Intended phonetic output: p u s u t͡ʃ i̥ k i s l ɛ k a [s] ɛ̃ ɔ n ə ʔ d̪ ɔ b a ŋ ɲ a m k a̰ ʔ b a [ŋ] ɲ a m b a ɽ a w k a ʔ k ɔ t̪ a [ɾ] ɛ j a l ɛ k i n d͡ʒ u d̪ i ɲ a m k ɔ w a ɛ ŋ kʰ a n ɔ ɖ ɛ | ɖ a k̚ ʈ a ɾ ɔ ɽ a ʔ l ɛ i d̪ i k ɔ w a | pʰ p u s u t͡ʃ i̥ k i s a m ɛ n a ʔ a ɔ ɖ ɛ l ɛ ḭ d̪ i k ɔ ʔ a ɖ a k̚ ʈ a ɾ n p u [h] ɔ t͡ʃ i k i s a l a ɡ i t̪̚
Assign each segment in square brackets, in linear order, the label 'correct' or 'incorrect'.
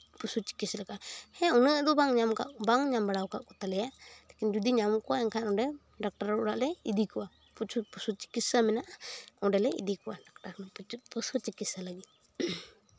incorrect: h, correct, incorrect: l, incorrect: s

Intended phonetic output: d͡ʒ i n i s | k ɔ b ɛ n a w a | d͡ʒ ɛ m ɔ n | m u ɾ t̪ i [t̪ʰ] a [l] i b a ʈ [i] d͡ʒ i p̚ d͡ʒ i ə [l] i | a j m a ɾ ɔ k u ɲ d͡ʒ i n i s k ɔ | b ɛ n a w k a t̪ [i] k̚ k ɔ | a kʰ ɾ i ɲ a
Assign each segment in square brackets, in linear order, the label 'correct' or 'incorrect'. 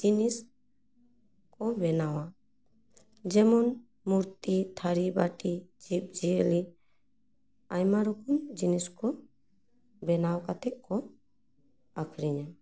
correct, incorrect: ɾ, correct, correct, incorrect: ɛ

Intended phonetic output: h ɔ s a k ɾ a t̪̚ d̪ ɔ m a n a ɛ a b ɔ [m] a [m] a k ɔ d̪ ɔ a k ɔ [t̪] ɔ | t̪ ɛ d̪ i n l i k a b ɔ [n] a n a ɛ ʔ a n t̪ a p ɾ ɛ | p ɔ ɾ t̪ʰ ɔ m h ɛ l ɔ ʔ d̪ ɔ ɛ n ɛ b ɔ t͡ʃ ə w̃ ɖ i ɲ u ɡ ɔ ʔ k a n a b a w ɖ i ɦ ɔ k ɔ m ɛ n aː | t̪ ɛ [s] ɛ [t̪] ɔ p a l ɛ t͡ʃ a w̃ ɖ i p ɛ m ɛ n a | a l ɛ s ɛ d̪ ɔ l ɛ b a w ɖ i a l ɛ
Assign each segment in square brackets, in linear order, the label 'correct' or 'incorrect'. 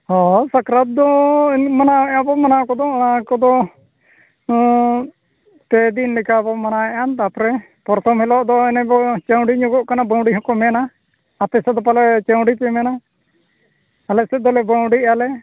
correct, incorrect: n, incorrect: d̪, incorrect: m, correct, incorrect: d̪

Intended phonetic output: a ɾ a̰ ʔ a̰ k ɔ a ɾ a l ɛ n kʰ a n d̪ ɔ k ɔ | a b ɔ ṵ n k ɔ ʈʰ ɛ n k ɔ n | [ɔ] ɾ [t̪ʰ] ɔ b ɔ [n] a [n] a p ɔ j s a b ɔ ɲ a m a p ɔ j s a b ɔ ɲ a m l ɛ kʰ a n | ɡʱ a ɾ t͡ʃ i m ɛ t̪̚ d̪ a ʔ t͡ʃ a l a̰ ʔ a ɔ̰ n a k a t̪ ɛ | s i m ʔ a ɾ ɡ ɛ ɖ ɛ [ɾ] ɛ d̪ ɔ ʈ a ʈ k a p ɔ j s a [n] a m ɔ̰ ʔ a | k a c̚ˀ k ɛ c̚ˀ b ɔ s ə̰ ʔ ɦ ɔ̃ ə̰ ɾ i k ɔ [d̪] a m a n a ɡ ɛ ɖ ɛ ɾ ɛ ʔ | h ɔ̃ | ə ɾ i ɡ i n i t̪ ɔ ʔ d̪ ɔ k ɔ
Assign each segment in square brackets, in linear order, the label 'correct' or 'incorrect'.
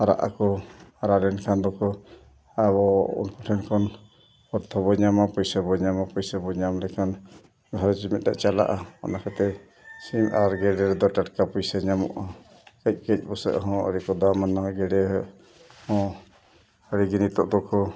correct, correct, incorrect: ɲ, incorrect: m, correct, incorrect: ɲ, correct

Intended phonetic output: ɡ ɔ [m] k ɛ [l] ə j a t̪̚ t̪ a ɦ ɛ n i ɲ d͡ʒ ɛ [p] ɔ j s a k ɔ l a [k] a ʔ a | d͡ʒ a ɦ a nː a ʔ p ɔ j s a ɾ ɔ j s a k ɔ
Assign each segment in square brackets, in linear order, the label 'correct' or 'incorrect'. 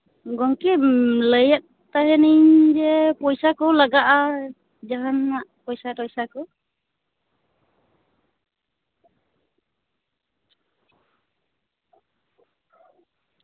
incorrect: ŋ, correct, correct, incorrect: ɡ

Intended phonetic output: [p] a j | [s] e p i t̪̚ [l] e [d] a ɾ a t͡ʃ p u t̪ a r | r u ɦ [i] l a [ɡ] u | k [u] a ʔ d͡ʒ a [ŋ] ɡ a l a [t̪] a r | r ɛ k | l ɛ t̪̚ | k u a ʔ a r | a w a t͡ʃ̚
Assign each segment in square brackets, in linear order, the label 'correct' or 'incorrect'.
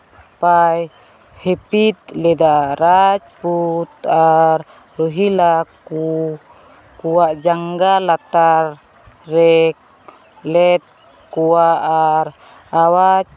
correct, incorrect: h, correct, correct, correct, incorrect: k, correct, correct, correct

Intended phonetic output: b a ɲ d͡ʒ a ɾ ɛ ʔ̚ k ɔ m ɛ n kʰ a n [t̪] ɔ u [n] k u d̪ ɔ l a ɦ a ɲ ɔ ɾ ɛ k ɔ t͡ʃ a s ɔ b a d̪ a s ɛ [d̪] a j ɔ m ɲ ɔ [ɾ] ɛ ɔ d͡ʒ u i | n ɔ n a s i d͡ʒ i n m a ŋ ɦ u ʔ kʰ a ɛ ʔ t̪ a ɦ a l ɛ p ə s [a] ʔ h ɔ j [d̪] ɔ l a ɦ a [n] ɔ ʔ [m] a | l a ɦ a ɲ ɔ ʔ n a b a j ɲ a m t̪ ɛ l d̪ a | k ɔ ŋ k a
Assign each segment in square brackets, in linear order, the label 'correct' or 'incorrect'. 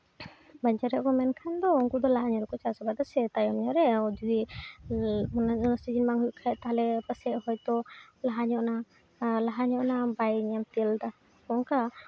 incorrect: d̪, incorrect: ŋ, incorrect: t̪, correct, incorrect: ɛ, incorrect: t̪, incorrect: ɲ, incorrect: n

